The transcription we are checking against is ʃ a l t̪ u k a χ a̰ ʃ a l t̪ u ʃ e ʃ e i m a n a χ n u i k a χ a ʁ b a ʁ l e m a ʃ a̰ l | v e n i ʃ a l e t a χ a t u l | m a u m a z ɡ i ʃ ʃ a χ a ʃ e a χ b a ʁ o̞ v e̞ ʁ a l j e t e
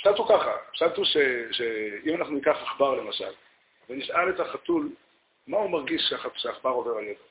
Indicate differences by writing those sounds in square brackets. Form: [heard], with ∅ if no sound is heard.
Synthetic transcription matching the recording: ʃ a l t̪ u k a χ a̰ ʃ a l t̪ u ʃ e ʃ e i m a n a χ n u i k a χ a [χ] b a ʁ l e m a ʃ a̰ l | v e n i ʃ a l e t a χ a t u l | m a u m a [ʁ] ɡ i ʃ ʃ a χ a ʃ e a χ b a ʁ o̞ v e̞ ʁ a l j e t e